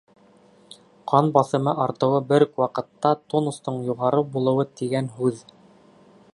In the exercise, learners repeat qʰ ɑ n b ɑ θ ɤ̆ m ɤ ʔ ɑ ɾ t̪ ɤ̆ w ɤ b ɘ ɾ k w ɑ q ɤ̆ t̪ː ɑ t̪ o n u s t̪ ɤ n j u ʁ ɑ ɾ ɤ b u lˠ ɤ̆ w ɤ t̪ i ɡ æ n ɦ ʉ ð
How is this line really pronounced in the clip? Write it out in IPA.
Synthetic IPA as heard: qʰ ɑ n b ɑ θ ɤ̆ m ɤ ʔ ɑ ɾ t̪ ɤ̆ w ɤ b ɘ ɾ k w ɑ q ɤ̆ t̪ː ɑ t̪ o n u s t̪ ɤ ɴ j u ʁ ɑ ɾ ɤ b u lˠ ɤ̆ w ɤ t̪ i ɡ æ n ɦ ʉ ð